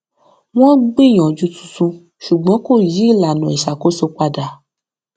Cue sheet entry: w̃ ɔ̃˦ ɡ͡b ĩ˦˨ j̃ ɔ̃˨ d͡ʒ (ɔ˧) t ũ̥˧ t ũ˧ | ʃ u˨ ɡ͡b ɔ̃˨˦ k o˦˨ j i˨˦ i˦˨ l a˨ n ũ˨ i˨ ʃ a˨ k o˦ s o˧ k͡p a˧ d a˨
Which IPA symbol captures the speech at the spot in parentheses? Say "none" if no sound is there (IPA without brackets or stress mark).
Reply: u˧